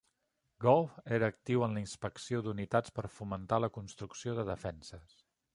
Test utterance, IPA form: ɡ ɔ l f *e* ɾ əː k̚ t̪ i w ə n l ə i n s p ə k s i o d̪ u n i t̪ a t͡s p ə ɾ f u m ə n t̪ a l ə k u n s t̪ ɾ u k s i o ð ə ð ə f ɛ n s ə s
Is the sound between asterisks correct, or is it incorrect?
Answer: correct